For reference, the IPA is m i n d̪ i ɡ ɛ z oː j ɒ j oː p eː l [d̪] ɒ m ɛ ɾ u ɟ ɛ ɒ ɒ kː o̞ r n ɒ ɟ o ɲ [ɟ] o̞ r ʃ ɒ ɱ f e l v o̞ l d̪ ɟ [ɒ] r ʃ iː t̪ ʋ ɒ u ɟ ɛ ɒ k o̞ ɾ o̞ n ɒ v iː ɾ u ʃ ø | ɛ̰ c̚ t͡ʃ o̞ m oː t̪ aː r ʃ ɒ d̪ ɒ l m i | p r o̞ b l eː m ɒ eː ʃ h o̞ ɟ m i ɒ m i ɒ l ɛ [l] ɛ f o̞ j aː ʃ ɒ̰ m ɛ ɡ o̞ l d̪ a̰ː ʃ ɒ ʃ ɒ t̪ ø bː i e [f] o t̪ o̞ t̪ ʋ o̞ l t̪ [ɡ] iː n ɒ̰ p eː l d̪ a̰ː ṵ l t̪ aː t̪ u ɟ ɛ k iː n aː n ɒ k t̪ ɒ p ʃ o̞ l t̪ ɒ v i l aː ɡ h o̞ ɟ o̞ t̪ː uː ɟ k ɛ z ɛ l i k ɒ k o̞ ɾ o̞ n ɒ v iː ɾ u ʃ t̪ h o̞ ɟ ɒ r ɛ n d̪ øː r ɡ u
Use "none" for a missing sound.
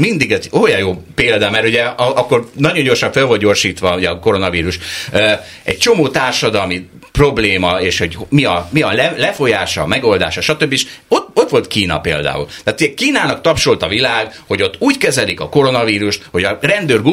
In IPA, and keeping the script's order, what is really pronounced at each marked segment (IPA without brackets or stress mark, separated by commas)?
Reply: d̪, ɟ, o, l, ʃ, k